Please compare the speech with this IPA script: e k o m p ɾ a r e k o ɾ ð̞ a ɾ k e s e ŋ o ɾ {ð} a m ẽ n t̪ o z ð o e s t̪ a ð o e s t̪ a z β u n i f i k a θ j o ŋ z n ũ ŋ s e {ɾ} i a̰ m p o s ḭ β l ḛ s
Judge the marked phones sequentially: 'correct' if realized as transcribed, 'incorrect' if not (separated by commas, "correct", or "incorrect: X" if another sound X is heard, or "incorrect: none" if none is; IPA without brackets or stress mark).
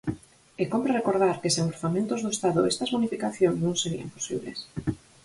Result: incorrect: θ, correct